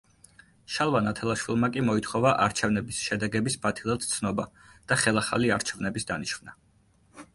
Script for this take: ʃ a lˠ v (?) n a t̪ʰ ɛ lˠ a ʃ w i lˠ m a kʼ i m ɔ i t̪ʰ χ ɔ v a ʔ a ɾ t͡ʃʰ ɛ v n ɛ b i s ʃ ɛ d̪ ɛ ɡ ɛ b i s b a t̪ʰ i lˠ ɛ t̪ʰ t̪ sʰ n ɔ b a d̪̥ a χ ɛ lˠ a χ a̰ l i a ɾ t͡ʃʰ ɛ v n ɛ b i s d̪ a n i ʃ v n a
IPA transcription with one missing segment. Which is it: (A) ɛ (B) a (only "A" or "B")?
B